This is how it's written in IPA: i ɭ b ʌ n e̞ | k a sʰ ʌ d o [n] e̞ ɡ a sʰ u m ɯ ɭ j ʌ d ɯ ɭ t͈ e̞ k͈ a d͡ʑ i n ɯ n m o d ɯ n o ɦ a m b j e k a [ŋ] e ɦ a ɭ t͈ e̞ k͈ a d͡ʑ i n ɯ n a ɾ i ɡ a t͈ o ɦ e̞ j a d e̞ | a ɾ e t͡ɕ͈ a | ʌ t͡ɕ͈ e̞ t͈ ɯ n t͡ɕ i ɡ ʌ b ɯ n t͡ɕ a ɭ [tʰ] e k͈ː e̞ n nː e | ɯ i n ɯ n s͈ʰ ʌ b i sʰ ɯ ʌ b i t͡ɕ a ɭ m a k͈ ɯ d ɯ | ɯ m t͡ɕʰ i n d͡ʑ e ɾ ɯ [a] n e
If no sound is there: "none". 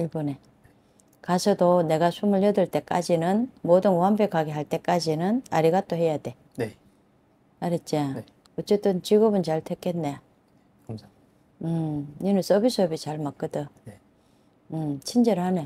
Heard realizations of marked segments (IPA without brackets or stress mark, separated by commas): n, ɡ, tʰ, a